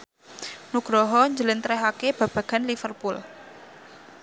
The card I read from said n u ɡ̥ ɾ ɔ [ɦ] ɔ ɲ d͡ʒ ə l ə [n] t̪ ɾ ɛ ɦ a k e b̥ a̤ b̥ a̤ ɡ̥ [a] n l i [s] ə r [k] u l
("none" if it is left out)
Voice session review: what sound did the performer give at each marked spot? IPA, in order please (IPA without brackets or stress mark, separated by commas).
ɦ, n, a, f, p